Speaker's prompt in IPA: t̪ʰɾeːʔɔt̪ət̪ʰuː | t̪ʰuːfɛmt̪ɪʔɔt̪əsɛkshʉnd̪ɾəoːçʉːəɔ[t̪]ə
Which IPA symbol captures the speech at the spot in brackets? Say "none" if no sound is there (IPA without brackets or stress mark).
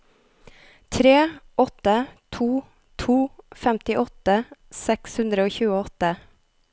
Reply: t̪